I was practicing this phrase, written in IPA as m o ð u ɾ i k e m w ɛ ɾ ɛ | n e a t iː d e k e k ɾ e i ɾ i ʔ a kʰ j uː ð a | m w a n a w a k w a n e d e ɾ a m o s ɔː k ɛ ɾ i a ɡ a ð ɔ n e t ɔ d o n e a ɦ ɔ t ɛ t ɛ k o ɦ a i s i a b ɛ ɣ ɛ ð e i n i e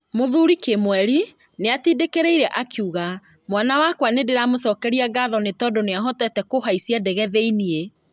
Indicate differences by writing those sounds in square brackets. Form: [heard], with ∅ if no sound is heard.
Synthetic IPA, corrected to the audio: m o ð u ɾ i k e m w ɛ ɾ [i] | n e a t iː d e k e [∅] ɾ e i ɾ [ɛ] ʔ a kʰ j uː [ɣ] a | m w a n a w a k w a n e d e ɾ a m o s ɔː k ɛ ɾ i a ɡ a ð ɔ n e t ɔ d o n e a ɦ ɔ t ɛ t ɛ k o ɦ a i s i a [d] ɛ ɣ ɛ ð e i n i e